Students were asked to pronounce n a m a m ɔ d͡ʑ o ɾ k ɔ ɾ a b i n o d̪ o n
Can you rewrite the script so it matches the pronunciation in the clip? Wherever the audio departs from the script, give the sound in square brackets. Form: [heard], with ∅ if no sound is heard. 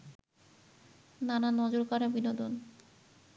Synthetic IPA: n a [n] a [n] ɔ d͡ʑ o ɾ k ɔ ɾ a b i n o d̪ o n